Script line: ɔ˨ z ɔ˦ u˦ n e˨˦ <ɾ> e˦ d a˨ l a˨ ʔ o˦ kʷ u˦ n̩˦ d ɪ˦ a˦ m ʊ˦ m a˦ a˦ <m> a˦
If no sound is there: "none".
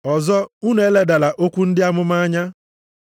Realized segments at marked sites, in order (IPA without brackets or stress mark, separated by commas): l, ɲ